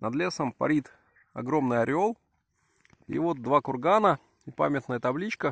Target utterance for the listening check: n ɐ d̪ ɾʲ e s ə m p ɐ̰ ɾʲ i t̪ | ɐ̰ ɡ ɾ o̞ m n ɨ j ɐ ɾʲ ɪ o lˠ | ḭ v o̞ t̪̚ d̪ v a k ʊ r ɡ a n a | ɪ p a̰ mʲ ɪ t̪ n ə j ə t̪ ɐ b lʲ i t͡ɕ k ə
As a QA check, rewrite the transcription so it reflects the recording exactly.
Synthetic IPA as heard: n ɐ d̪ lʲ e s ə m p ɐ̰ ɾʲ i t̪ | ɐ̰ ɡ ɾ o̞ m n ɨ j ɐ ɾʲ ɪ o lˠ | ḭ v o̞ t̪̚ d̪ v a k ʊ r ɡ a n ə | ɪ p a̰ mʲ ɪ t̪ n ə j ə t̪ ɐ b lʲ i t͡ɕ k ə